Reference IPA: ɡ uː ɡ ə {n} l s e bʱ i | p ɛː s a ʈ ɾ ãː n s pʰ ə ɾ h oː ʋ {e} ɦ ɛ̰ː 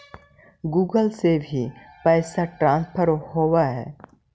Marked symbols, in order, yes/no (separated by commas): no, no